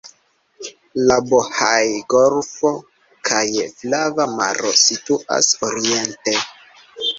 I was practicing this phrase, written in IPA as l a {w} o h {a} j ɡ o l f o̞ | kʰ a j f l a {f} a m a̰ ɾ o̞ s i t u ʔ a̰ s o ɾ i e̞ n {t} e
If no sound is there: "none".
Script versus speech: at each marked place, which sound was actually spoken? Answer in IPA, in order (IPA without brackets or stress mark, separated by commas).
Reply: b, a, v, t